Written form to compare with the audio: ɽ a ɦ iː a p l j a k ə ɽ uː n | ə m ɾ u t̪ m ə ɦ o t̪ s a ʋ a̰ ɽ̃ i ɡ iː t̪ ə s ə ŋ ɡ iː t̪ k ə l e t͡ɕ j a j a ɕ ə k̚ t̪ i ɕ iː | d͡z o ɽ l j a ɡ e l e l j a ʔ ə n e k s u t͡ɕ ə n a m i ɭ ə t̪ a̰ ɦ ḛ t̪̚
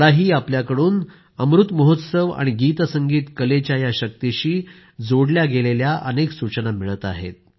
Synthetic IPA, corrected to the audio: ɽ a ɦ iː a p l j a k ə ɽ uː n | ə m ɾ u t̪ m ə ɦ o t̪ s ə ʋ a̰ ɽ̃ i ɡ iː t̪ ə s ə ŋ ɡ iː t̪ k ə l e t͡ɕ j a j a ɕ ə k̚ t̪ i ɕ iː | d͡z o ɽ l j a ɡ e l e l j a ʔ ə n e k s u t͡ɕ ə n a m i ɭ ə t̪ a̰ ɦ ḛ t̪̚